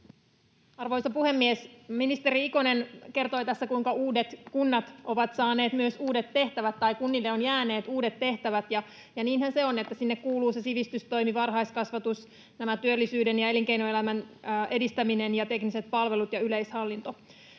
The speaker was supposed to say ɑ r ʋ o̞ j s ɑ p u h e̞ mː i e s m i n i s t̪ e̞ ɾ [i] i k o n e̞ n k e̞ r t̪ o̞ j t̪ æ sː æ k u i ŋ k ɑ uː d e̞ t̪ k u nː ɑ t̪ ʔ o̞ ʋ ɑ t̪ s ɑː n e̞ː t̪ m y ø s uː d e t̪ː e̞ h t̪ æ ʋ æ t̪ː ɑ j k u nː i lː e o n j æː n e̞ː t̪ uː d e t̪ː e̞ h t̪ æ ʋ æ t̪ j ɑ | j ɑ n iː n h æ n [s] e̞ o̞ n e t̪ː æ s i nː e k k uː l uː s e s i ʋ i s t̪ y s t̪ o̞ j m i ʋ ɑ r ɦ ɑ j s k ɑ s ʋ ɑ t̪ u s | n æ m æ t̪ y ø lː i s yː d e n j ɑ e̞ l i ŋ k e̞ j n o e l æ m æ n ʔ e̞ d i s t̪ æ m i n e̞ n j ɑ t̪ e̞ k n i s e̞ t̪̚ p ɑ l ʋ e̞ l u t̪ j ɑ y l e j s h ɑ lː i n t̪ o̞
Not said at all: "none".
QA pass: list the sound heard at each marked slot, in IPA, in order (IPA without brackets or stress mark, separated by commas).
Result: i, s